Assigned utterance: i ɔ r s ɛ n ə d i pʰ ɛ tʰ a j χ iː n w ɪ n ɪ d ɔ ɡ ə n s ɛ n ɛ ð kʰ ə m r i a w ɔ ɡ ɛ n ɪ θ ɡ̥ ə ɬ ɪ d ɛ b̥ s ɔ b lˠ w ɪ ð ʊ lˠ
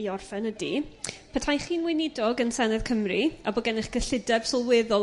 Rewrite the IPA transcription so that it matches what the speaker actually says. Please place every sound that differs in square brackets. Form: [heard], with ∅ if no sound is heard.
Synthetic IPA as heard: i ɔ r [f] ɛ n ə d i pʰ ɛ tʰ a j χ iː n w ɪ n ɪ d ɔ ɡ ə n s ɛ n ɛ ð kʰ ə m r i a [b] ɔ ɡ ɛ n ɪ [χ] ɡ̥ ə ɬ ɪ d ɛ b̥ s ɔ [∅] lˠ w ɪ ð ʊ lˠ